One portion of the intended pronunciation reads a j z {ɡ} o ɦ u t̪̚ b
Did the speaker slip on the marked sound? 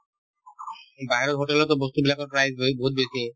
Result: yes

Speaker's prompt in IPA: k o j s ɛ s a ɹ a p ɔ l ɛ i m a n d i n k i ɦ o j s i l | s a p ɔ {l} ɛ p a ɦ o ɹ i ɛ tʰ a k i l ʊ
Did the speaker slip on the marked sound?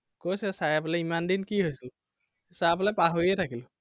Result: no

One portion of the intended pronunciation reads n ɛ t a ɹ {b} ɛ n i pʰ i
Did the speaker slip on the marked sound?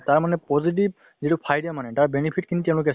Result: no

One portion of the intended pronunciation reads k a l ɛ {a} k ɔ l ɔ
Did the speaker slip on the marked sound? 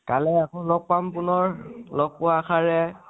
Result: no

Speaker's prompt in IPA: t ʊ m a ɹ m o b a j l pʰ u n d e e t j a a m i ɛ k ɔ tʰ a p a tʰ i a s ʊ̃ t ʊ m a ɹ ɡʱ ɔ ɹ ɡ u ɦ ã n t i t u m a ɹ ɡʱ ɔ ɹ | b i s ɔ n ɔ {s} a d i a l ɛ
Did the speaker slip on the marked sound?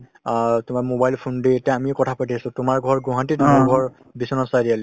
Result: no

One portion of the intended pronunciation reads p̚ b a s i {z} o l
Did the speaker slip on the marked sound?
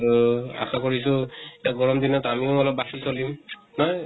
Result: yes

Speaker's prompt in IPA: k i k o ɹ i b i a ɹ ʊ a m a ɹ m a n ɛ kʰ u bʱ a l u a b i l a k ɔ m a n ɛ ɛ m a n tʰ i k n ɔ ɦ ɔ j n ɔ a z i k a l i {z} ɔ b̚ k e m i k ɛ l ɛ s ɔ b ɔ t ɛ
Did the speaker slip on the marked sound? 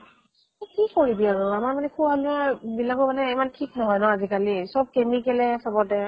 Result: yes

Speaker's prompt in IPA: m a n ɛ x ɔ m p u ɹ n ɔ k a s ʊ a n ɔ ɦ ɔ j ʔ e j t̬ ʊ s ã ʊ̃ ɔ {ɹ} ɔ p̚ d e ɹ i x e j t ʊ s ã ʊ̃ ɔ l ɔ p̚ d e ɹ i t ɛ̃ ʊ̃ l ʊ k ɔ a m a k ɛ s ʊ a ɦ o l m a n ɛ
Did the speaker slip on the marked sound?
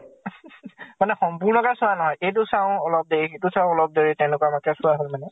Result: yes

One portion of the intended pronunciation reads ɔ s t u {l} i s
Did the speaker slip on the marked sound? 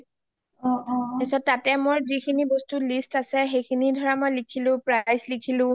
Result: no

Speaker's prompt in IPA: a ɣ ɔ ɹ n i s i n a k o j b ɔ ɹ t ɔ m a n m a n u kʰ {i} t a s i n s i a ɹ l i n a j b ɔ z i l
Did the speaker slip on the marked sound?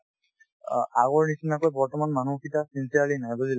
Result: no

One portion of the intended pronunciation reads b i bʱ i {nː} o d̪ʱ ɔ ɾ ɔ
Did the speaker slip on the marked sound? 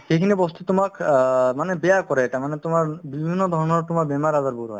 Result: no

